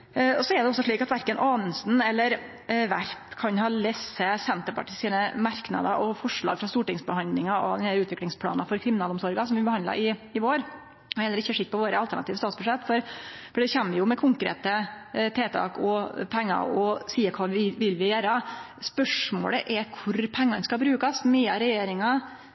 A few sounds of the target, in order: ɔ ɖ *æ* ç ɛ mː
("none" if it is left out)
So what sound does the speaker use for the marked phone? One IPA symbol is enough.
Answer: ɛ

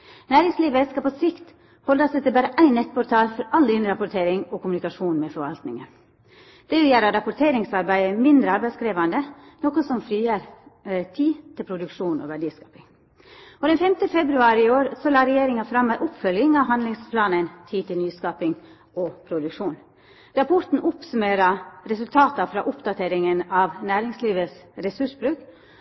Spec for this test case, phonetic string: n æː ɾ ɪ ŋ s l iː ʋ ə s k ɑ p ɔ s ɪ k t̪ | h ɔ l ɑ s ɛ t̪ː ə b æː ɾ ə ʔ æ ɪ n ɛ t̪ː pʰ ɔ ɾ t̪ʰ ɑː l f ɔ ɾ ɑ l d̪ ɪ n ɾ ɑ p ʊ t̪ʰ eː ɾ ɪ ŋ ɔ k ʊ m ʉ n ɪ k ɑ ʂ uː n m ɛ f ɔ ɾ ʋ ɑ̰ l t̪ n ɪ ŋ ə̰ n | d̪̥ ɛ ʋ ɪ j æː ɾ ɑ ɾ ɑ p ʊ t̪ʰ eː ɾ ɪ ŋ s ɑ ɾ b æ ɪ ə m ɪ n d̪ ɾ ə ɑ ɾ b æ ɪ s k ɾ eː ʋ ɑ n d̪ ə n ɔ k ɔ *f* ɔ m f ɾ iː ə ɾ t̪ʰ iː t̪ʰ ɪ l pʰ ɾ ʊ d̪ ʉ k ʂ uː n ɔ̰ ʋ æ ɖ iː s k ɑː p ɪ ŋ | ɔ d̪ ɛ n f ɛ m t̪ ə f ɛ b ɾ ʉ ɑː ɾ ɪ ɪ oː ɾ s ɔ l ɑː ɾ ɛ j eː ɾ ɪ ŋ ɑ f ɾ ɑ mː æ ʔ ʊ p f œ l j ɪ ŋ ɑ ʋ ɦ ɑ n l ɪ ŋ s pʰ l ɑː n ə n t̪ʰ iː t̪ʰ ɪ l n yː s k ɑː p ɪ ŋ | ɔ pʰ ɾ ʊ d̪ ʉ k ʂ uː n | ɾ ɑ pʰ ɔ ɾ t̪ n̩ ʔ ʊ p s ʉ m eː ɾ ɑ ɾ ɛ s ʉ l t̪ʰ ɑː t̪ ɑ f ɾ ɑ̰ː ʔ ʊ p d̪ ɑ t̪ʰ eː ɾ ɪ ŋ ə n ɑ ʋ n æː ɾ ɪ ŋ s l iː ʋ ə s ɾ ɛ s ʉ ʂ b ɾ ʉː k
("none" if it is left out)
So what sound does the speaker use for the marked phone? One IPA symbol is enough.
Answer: s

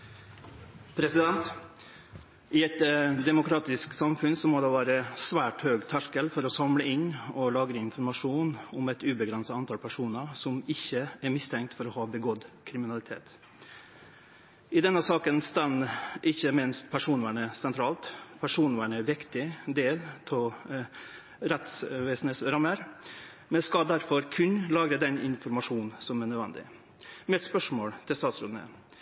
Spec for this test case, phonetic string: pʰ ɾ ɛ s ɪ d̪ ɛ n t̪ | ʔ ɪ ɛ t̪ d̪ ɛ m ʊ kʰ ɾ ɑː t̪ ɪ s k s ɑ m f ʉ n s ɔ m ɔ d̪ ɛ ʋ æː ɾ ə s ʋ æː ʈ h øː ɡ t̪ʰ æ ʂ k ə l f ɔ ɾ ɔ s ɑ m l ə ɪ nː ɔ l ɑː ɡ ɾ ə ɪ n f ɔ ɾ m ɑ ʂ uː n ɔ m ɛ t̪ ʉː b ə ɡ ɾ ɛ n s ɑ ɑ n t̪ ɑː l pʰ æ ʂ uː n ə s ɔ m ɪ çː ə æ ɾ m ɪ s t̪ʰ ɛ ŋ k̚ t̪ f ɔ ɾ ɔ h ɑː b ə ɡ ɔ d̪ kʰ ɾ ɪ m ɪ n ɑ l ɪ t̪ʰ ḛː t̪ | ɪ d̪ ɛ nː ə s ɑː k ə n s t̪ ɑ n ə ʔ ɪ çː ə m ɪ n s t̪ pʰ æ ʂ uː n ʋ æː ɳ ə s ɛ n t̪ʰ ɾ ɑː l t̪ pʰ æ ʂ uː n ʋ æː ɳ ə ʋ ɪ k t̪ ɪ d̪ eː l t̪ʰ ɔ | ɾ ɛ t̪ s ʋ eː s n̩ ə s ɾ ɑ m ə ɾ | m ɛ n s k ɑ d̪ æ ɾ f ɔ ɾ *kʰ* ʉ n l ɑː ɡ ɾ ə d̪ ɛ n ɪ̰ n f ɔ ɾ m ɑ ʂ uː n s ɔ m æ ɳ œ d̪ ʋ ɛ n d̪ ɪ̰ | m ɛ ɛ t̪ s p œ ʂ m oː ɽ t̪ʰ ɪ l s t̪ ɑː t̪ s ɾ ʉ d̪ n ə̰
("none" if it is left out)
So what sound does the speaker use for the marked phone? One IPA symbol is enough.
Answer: kʰ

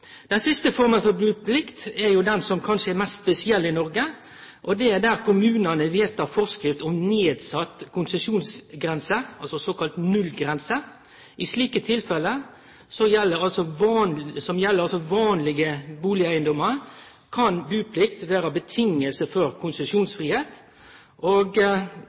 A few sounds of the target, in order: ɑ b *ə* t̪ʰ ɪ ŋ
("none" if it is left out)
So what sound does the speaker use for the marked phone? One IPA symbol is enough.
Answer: ə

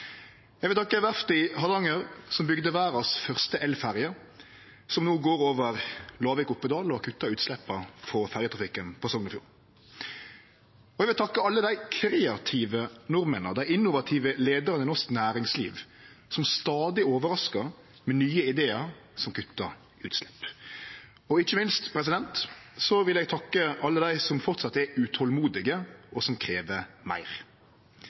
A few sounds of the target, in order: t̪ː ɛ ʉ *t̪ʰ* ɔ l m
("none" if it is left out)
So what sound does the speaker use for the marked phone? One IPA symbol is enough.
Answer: t̪ʰ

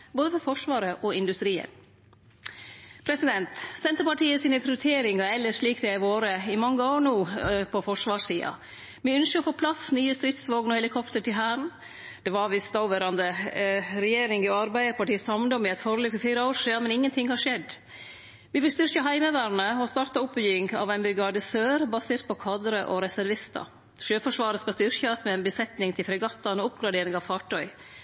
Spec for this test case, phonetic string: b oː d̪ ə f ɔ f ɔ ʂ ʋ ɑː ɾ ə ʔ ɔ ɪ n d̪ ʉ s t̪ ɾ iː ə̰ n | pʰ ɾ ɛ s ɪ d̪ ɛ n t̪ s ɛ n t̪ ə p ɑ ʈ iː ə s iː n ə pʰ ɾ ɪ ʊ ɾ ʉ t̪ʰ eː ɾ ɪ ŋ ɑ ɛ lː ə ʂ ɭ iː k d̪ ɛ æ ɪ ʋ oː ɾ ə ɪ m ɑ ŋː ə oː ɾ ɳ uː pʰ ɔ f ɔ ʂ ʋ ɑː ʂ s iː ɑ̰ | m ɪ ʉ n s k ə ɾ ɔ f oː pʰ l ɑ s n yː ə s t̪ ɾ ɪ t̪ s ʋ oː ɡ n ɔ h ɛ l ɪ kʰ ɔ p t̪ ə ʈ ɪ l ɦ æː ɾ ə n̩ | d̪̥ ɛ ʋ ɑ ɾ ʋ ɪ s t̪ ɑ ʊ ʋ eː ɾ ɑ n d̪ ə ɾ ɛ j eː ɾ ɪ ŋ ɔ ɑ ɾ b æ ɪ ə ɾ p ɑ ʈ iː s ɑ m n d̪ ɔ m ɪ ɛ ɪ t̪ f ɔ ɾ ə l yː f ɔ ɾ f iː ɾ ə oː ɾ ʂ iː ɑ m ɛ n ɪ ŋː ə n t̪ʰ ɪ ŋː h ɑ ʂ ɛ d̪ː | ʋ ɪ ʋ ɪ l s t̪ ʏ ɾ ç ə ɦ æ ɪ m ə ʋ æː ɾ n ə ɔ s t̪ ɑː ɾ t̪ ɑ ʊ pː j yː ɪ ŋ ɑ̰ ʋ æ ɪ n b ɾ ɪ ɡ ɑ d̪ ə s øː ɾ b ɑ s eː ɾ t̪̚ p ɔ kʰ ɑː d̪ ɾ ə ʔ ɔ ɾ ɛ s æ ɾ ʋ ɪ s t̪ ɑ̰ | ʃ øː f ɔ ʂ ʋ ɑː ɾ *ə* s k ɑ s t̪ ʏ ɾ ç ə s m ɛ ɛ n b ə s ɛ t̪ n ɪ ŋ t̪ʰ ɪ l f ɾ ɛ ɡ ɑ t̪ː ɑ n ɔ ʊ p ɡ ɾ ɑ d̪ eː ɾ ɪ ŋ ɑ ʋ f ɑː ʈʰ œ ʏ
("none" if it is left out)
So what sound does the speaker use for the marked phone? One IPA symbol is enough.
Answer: ə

